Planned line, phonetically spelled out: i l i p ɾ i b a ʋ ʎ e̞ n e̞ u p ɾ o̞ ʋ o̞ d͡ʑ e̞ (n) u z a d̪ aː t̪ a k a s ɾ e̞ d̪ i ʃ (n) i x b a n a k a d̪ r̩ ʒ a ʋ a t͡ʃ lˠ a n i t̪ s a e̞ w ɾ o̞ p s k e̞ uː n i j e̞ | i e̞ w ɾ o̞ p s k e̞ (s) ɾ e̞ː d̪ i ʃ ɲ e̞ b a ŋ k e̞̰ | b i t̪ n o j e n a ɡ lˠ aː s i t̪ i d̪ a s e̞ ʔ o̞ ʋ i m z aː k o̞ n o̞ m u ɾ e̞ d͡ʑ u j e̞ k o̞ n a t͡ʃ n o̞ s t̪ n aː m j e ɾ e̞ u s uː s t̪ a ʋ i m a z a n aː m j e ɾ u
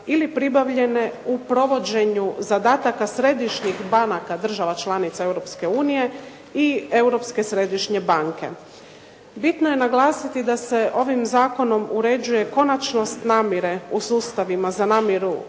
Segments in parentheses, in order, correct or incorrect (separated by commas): incorrect, incorrect, correct